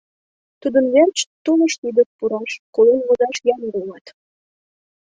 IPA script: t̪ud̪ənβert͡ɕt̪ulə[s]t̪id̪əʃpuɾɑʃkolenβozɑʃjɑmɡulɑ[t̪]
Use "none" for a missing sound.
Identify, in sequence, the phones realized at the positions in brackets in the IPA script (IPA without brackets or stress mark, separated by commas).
ʃ, t̪